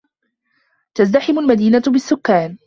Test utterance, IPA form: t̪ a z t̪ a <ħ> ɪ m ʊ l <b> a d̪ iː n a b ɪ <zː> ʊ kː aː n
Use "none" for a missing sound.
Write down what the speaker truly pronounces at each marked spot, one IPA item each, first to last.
ħ, m, sː

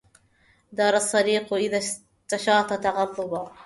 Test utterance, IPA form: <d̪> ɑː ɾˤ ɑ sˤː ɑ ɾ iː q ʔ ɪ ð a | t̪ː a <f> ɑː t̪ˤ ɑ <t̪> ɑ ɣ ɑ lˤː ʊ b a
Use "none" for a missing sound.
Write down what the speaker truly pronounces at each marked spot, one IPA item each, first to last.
d̪, ʃ, t̪

